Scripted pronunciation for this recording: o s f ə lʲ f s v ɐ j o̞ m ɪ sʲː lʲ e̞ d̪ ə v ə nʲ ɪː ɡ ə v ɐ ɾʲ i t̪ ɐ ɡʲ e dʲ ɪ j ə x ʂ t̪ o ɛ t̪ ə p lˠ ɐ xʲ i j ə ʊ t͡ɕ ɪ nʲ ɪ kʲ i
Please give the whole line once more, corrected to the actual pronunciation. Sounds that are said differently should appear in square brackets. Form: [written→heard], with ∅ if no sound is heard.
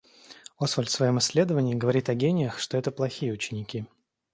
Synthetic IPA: o s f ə lʲ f s v ɐ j o̞ m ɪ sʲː lʲ e̞ d̪ ə v ə nʲ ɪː ɡ ə v ɐ ɾʲ i t̪ ɐ ɡʲ e [dʲ→nʲ] ɪ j ə x ʂ t̪ o ɛ t̪ ə p lˠ ɐ xʲ i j ə ʊ t͡ɕ ɪ nʲ ɪ kʲ i